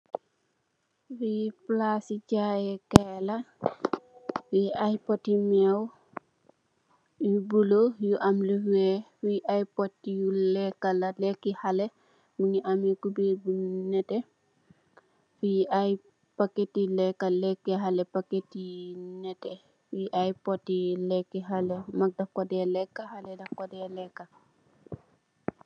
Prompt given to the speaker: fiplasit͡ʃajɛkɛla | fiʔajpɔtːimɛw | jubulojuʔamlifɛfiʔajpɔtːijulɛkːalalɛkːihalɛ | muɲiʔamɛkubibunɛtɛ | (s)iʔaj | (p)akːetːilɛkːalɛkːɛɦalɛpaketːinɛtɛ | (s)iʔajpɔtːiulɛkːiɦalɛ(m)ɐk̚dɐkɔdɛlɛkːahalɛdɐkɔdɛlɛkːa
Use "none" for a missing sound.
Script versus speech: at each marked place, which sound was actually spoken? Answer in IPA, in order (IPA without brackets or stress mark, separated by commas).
f, p, f, m